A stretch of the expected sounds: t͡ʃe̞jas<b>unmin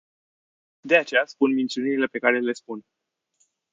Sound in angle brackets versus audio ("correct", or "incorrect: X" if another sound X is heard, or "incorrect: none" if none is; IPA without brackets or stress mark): incorrect: p